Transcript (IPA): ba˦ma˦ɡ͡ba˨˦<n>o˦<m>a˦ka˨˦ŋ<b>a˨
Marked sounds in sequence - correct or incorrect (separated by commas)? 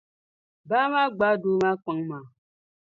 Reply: incorrect, correct, incorrect